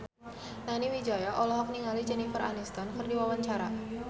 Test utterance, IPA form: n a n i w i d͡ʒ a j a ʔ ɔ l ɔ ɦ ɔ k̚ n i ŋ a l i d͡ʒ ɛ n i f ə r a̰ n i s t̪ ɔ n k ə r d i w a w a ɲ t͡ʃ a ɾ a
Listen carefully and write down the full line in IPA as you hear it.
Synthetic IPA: n a n i w i d͡ʒ a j a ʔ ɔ l ɔ ɦ ɔ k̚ n i ŋ a l i d͡ʒ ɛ n i f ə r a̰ n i s t̪ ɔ n k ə r d i w a w a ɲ t͡ʃ a ɾ a